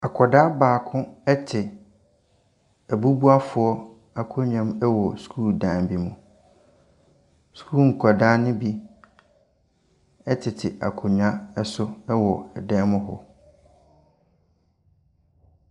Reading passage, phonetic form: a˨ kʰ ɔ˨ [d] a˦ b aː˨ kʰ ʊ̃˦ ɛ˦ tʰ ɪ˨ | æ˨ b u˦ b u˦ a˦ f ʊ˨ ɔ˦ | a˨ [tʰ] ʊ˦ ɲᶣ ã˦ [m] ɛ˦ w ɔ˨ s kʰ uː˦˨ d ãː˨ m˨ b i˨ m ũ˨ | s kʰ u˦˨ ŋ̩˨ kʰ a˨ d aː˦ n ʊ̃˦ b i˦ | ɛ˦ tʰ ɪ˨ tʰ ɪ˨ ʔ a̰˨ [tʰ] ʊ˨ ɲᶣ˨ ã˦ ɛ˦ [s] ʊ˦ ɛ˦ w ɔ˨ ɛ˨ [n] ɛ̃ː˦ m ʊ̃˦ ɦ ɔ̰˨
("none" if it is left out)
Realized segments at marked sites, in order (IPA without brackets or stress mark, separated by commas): d, kʰ, m, kʰ, s, d